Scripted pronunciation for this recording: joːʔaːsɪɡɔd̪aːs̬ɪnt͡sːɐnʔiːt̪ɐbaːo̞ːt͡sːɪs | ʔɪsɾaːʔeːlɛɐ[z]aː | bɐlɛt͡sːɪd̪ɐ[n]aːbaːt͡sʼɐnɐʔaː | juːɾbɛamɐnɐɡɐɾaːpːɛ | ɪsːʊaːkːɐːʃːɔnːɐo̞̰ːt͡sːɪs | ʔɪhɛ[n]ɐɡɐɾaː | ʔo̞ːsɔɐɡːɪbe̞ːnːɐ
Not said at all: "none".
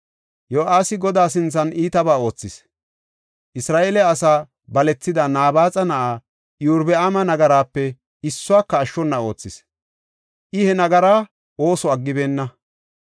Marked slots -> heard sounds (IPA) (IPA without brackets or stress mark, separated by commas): s, n, n